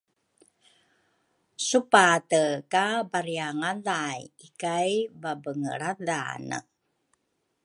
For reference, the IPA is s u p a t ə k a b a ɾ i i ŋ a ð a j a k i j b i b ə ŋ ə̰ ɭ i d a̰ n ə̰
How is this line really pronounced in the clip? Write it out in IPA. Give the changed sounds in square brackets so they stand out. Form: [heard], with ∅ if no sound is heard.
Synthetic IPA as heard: s u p a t ə k a b a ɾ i [a] ŋ a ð a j [i] k [a] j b [a] b ə ŋ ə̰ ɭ [a] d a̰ n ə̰